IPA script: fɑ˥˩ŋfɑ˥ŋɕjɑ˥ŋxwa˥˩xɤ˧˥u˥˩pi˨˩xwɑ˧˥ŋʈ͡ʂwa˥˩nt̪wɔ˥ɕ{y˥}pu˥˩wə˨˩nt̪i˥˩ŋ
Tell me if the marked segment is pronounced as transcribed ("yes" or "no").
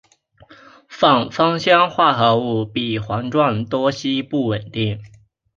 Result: no